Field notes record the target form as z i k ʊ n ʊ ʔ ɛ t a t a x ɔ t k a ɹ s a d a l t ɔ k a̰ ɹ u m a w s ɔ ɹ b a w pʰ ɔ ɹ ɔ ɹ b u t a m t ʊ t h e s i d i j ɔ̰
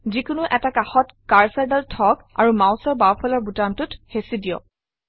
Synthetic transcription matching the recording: z i k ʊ n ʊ ʔ ɛ t a k a x ɔ t k a ɹ s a d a l tʰ ɔ k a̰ ɹ u m a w s ɔ ɹ b a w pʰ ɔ l ɔ ɹ b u t a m t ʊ t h e s i d i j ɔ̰

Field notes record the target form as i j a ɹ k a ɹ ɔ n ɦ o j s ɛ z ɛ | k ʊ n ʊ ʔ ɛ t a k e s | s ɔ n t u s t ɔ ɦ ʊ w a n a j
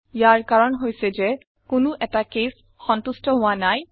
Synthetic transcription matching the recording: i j a ɹ k a ɹ ɔ n ɦ o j s ɛ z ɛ | k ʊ n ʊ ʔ ɛ t a k e s | x ɔ n t u s t ɔ ɦ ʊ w a n a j

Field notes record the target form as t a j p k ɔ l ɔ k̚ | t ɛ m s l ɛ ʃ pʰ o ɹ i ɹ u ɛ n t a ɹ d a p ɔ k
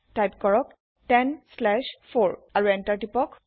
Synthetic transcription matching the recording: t a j p k ɔ ɹ ɔ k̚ | t ɛ n s l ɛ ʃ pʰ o ɹ a ɹ u ɛ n t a ɹ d i p ɔ k

